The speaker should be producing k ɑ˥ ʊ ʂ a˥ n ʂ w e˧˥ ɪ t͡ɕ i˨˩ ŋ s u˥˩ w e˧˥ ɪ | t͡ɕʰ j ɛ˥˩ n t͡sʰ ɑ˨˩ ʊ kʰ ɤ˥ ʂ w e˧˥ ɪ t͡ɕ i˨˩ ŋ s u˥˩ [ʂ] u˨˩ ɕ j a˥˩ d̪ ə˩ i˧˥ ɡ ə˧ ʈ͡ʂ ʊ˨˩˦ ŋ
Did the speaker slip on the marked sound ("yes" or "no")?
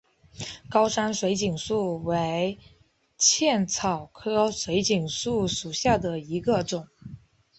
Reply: no